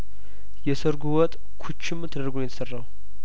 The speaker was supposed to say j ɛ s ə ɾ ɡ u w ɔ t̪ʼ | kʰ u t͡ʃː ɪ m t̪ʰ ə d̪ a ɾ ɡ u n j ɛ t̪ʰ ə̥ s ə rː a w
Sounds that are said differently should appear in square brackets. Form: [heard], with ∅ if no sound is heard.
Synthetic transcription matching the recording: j ɛ s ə ɾ ɡ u w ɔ t̪ʼ | kʰ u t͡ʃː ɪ m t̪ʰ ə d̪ [ə] ɾ ɡ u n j ɛ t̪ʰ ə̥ s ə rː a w